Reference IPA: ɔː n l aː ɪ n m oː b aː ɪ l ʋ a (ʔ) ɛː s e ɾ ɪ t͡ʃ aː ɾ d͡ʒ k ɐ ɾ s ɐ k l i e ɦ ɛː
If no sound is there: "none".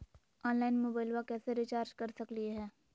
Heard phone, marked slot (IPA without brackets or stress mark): k